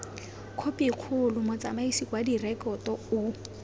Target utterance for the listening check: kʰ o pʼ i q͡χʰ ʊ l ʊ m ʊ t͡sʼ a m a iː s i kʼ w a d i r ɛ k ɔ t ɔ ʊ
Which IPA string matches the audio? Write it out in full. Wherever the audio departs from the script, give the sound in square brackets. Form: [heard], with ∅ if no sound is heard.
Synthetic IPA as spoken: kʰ o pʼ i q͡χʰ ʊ l ʊ m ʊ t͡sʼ a m a [i] s i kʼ w a d i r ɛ k ɔ t ɔ ʊ